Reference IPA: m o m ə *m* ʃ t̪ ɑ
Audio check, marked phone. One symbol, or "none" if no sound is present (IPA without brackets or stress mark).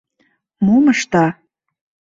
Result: none